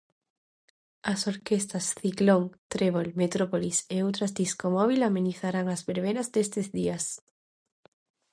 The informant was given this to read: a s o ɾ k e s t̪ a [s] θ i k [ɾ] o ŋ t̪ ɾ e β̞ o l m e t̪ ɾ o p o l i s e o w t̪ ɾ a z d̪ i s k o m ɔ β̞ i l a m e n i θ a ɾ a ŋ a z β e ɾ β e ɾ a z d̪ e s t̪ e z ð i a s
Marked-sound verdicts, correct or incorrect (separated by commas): correct, incorrect